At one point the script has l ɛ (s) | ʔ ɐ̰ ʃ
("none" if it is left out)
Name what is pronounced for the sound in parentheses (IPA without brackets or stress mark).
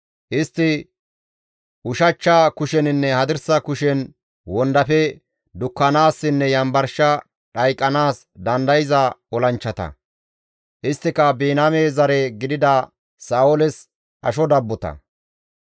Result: s